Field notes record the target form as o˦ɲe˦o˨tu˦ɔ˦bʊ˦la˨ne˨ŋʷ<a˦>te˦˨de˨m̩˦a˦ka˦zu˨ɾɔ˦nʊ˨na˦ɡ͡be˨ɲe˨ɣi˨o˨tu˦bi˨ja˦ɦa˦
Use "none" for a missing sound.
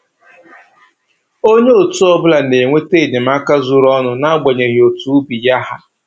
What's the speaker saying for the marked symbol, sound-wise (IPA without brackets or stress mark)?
e˦